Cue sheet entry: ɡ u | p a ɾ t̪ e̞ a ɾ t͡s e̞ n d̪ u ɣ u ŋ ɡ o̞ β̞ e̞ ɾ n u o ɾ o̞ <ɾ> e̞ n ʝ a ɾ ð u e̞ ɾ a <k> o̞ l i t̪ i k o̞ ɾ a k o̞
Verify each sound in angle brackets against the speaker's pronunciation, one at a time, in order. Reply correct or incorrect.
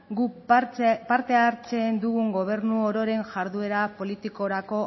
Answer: correct, incorrect: p

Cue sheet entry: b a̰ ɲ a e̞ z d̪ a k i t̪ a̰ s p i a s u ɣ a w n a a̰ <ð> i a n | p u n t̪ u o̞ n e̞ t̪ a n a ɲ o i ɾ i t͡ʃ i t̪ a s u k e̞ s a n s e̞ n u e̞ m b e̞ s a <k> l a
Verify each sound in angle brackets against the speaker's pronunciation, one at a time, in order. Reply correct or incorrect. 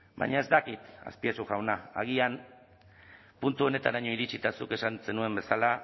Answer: incorrect: ɣ, incorrect: none

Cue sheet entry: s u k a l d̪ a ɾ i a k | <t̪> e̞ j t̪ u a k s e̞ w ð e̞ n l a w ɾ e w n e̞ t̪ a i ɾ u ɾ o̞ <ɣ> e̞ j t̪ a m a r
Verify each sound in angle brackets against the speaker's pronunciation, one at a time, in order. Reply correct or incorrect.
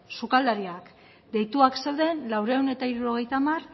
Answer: incorrect: d̪, correct

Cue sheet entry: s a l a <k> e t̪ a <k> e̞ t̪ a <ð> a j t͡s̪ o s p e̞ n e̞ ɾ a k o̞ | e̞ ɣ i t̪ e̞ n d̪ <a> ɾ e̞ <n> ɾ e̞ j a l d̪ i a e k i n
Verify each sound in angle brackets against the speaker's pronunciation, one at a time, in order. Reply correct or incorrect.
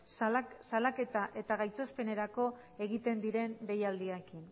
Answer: correct, incorrect: ʔ, incorrect: ɣ, incorrect: i, correct

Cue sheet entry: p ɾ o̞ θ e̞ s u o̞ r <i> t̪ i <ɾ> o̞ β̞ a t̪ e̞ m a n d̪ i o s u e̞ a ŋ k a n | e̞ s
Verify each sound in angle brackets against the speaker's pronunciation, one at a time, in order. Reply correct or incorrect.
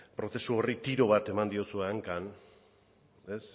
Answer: correct, correct

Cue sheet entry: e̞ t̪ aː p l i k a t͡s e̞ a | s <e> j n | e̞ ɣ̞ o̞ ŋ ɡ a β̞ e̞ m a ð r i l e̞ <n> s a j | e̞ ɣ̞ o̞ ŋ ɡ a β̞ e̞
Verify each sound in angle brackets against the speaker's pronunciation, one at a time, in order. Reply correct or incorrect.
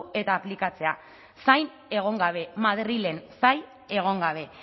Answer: incorrect: a, correct

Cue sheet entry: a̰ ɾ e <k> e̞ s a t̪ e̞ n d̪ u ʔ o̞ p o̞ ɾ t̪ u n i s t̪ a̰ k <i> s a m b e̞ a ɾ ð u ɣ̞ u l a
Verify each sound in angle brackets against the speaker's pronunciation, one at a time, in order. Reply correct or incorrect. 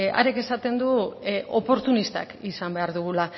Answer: correct, correct

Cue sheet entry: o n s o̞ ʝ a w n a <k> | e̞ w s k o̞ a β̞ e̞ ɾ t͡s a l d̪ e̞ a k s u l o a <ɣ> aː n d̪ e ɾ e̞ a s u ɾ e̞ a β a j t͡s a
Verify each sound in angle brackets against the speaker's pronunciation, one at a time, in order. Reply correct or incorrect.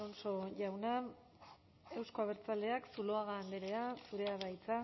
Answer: incorrect: none, correct

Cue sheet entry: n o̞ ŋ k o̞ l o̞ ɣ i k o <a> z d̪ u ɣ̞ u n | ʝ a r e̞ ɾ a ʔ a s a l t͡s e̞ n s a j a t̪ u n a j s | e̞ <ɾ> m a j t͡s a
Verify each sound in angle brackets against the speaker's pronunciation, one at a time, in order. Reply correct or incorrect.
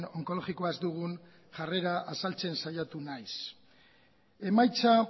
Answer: correct, incorrect: none

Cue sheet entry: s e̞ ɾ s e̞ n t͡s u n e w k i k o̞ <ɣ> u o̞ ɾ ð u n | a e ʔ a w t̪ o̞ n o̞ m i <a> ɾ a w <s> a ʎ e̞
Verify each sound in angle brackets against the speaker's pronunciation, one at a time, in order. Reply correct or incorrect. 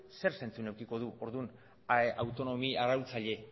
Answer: incorrect: ð, correct, incorrect: t͡s

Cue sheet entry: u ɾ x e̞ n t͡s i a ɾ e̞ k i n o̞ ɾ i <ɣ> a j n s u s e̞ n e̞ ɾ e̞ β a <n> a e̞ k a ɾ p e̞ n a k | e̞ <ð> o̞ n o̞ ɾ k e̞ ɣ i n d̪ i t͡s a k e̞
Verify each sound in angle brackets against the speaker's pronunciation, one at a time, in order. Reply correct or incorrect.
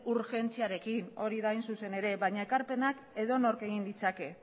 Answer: incorrect: ð, incorrect: ɲ, correct

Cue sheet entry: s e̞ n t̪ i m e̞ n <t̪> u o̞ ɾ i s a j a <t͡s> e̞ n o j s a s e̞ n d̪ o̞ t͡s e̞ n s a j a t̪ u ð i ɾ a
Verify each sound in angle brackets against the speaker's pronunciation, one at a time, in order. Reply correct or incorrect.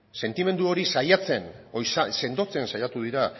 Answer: incorrect: d̪, correct

